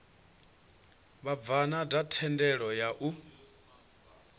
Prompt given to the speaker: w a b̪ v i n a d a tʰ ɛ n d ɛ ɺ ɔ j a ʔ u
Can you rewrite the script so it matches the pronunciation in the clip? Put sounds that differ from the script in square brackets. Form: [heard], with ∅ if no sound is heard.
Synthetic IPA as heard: [β] a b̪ v [a] n a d a tʰ ɛ n d ɛ ɺ ɔ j a ʔ u